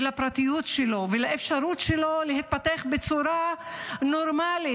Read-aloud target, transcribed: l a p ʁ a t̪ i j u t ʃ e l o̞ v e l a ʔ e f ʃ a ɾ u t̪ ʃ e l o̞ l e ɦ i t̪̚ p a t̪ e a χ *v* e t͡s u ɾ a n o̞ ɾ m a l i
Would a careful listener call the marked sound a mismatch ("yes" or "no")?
yes